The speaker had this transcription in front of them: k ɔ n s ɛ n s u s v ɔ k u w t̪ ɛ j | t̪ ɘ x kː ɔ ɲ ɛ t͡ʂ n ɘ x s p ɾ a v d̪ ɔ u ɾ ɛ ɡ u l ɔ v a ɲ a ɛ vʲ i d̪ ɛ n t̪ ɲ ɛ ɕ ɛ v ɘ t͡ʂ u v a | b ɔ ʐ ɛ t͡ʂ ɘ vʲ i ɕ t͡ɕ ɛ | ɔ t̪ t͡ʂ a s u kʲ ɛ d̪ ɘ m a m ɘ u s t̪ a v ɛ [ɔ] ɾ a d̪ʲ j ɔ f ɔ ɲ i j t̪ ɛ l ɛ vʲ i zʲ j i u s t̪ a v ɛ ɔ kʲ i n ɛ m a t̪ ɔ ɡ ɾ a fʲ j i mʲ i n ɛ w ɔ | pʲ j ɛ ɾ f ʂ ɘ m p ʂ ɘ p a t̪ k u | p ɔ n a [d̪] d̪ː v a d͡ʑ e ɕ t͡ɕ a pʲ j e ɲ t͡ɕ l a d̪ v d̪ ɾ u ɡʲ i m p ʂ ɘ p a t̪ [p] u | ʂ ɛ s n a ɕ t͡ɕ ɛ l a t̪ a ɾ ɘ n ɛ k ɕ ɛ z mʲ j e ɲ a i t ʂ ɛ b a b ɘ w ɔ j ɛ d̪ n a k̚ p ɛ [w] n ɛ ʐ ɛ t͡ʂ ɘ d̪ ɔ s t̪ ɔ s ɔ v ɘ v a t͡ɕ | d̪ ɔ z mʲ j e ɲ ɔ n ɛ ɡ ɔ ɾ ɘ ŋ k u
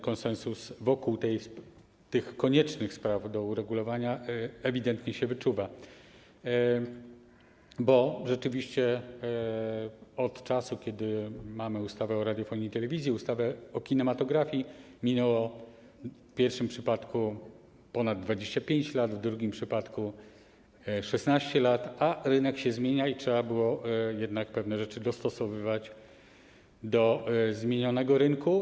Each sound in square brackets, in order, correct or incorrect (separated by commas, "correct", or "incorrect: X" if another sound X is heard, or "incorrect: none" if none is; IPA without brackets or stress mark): correct, correct, incorrect: k, incorrect: v